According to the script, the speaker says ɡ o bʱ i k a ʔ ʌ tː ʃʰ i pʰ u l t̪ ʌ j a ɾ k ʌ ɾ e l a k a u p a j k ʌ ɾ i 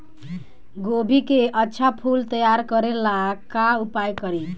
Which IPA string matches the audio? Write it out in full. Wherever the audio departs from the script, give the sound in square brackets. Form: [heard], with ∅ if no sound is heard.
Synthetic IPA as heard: ɡ o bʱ i k [e] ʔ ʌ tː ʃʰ [a] pʰ u l t̪ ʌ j a ɾ k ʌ ɾ e l a k a u p a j k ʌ ɾ i